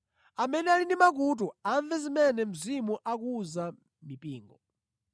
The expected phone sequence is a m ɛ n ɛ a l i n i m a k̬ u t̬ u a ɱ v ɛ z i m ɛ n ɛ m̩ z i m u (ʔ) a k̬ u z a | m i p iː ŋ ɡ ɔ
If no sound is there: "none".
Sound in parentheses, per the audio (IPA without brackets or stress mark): ʔ